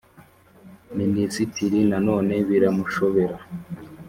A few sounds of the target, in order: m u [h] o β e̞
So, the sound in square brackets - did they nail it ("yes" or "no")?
no